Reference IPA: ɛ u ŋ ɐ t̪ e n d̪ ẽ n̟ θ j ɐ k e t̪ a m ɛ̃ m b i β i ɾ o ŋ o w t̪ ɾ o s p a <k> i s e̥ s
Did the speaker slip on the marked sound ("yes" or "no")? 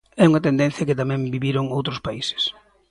yes